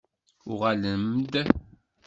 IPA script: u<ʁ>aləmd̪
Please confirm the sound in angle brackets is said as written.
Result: yes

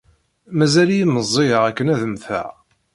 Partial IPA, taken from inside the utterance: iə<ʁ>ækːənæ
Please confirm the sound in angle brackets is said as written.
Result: yes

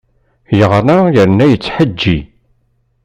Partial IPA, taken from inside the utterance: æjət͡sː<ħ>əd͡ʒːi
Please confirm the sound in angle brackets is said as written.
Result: yes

